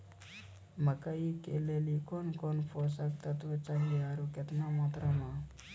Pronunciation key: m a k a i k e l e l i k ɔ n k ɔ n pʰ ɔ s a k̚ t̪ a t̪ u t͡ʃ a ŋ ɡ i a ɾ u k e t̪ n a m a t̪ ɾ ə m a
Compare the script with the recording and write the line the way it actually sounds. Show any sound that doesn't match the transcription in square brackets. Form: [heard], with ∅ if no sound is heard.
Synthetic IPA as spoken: m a k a i k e l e l i k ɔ n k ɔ n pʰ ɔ s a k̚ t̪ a t̪ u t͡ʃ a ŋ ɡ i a ɾ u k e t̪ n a m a t̪ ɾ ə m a